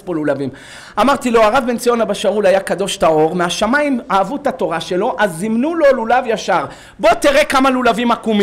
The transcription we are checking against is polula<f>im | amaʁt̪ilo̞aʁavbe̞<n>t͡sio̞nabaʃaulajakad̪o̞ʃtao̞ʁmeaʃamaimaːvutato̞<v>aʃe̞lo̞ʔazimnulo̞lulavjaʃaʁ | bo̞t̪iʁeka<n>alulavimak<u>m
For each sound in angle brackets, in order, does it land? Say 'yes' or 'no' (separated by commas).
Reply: no, yes, no, no, yes